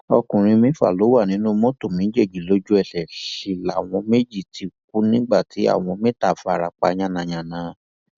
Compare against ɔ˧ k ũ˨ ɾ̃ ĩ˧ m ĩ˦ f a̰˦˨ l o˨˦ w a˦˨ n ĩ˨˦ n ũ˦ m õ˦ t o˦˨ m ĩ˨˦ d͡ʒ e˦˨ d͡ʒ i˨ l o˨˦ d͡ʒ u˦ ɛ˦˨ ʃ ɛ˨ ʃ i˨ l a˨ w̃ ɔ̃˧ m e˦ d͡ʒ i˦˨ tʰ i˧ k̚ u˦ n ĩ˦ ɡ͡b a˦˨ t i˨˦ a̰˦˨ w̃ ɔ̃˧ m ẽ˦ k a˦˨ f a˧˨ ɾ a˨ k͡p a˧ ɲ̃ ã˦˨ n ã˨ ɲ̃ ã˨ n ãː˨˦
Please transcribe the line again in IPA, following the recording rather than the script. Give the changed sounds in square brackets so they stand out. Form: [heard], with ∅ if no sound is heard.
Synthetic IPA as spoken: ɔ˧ k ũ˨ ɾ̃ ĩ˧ m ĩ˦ f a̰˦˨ l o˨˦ w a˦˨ n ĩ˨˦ n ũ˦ m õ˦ t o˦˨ m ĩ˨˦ d͡ʒ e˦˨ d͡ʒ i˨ l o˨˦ d͡ʒ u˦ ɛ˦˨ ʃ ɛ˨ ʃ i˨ l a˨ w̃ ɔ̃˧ m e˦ d͡ʒ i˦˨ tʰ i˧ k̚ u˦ n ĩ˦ ɡ͡b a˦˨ t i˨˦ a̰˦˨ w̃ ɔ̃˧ m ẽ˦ [t] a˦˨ f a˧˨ ɾ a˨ k͡p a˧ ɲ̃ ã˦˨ n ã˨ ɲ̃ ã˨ n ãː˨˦